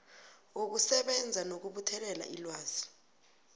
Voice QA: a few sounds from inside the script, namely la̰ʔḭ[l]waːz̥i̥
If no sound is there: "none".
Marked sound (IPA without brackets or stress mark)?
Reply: l